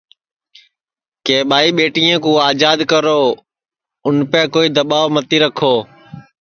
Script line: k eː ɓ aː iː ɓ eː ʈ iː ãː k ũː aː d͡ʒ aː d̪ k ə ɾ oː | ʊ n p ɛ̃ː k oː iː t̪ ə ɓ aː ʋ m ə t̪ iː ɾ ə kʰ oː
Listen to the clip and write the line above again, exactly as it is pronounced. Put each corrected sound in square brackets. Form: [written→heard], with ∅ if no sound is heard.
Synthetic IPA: k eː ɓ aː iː ɓ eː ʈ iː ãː k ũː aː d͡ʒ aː d̪ k ə ɾ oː | ʊ n p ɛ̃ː k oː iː [t̪→d̪] ə ɓ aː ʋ m ə t̪ iː ɾ ə kʰ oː